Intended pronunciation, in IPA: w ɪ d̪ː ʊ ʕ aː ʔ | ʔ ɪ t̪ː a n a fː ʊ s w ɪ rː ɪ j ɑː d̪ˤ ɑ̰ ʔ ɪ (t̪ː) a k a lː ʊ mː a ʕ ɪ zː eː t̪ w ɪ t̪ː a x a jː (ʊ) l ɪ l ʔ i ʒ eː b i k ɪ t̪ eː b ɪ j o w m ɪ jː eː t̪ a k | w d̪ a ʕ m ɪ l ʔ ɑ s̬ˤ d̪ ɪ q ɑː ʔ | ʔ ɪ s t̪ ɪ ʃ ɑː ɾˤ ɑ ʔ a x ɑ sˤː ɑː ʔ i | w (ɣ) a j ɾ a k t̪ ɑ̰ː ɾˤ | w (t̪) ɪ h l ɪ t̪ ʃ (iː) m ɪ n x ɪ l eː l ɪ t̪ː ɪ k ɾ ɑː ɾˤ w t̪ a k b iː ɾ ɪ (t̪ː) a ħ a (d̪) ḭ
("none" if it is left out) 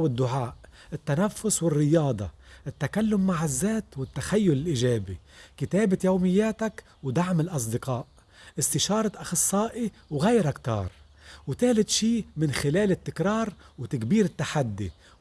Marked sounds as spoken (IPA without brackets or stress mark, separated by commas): t̪ː, ʊ, ɣ, t̪, iː, t̪ː, d̪ː